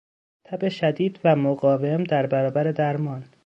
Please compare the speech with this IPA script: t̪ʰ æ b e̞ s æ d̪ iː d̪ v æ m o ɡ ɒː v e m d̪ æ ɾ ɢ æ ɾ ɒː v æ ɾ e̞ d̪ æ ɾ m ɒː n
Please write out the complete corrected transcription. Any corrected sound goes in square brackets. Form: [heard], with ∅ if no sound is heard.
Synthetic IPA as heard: t̪ʰ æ b e̞ [ʃ] æ d̪ iː d̪ v æ m o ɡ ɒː v e m d̪ æ ɾ [b] æ ɾ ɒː [b] æ ɾ e̞ d̪ æ ɾ m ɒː n